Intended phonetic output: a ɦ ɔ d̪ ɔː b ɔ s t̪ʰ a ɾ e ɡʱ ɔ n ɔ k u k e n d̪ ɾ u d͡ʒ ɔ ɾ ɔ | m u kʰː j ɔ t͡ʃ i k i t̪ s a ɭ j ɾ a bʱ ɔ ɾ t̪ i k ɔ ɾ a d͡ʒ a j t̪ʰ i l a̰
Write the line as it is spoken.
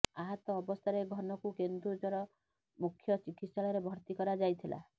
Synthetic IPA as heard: a ɦ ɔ t̪ ɔː b ɔ s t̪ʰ a ɾ e ɡʱ ɔ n ɔ k u k e n d̪ ɾ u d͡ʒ ɔ ɾ ɔ | m u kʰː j ɔ t͡ʃ i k i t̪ s a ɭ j ɾ e bʱ ɔ ɾ t̪ i k ɔ ɾ a d͡ʒ a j t̪ʰ i l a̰

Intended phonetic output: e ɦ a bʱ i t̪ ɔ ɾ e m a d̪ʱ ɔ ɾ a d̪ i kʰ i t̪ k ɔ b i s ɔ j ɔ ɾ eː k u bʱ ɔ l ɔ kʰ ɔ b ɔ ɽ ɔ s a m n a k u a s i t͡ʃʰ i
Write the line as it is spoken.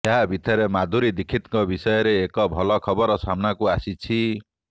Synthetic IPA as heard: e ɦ a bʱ i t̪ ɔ ɾ e m a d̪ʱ u ɾ i d̪ i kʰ i t̪ k ɔ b i s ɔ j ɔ ɾ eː k ɔ bʱ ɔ l ɔ kʰ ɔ b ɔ ɾ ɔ s a m n a k u a s i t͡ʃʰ i

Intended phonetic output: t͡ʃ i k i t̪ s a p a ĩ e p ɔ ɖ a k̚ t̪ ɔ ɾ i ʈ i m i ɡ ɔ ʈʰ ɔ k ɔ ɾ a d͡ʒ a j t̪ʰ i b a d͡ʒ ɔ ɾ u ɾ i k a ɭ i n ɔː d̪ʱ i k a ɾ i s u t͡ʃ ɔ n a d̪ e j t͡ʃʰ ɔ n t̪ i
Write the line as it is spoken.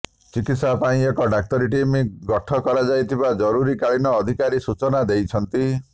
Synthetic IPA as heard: t͡ʃ i k i t̪ s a p a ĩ e k ɔ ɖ a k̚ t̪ ɔ ɾ i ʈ i m i ɡ ɔ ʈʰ ɔ k ɔ ɾ a d͡ʒ a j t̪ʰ i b a d͡ʒ ɔ ɾ u ɾ i k a ɭ i n ɔː d̪ʱ i k a ɾ i s u t͡ʃ ɔ n a d̪ e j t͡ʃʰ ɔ n t̪ i

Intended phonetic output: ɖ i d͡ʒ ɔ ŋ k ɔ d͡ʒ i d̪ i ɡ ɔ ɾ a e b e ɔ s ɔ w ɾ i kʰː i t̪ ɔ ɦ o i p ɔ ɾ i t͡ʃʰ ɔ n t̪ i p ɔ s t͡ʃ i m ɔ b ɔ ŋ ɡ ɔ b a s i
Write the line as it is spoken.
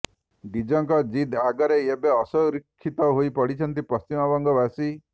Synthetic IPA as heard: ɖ i d͡ʒ ɔ ŋ k ɔ d͡ʒ i d̪ a ɡ ɔ ɾ e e b e ɔ s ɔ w ɾ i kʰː i t̪ ɔ ɦ o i p ɔ ɽ i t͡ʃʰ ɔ n t̪ i p ɔ s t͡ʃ i m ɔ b ɔ ŋ ɡ ɔ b a s i

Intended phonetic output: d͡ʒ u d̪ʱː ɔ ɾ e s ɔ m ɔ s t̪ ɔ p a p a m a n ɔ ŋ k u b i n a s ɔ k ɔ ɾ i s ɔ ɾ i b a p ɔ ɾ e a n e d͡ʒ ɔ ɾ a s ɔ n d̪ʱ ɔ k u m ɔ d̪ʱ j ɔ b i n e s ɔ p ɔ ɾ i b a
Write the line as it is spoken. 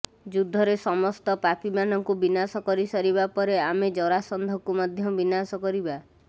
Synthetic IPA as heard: d͡ʒ u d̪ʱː ɔ ɾ e s ɔ m ɔ s t̪ ɔ p a p i m a n ɔ ŋ k u b i n a s ɔ k ɔ ɾ i s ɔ ɾ i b a p ɔ ɾ e a m e d͡ʒ ɔ ɾ a s ɔ n d̪ʱ ɔ k u m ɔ d̪ʱ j ɔ b i n a s ɔ k ɔ ɾ i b a

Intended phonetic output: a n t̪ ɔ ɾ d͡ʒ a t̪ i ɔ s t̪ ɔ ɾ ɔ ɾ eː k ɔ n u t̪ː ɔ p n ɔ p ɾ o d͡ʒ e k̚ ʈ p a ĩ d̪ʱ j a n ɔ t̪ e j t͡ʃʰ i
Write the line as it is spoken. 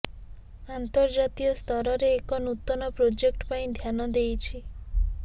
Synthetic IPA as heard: a n t̪ ɔ ɾ d͡ʒ a t̪ i ɔ s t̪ ɔ ɾ ɔ ɾ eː k ɔ n u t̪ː ɔ n ɔ p ɾ o d͡ʒ e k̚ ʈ p a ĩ d̪ʱ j a n ɔ d̪ e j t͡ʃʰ i

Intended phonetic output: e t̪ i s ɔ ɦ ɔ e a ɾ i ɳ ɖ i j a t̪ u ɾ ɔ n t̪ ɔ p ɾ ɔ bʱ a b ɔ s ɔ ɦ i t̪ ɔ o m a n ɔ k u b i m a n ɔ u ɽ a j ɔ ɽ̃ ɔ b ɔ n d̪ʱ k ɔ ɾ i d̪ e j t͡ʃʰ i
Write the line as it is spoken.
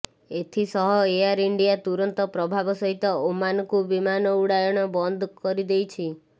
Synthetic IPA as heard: e t̪ʰ i s ɔ ɦ ɔ e a ɾ i ɳ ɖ i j a t̪ u ɾ ɔ n t̪ ɔ p ɾ ɔ bʱ a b ɔ s ɔ ɦ i t̪ ɔ o m a n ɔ k u b i m a n ɔ u ɽ a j ɔ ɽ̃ ɔ b ɔ n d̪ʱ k ɔ ɾ i d̪ e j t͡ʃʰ i

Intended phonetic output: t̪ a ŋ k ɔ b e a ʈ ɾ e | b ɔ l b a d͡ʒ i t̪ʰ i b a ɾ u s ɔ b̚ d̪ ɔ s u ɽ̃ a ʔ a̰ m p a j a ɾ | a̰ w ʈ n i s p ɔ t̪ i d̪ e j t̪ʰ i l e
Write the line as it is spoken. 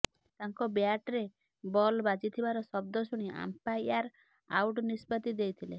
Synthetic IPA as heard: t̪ a ŋ k ɔ b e a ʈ ɾ e | b ɔ l b a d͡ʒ i t̪ʰ i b a ɾ ɔ s ɔ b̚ d̪ ɔ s u ɽ̃ i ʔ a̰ m p a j a ɾ | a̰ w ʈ n i s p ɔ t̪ i d̪ e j t̪ʰ i l e

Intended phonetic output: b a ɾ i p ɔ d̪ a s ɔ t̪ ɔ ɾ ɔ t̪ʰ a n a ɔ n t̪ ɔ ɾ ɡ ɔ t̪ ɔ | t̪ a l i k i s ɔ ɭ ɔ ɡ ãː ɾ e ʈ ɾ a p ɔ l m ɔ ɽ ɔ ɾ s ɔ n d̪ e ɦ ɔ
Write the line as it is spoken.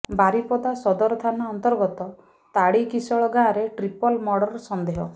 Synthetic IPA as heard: b a ɾ i p ɔ d̪ a s ɔ d̪ ɔ ɾ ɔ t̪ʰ a n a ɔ n t̪ ɔ ɾ ɡ ɔ t̪ ɔ | t̪ a ɽ i k i s ɔ ɭ ɔ ɡ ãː ɾ e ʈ ɾ i p ɔ l m ɔ ɽ ɔ ɾ s ɔ n d̪ e ɦ ɔ

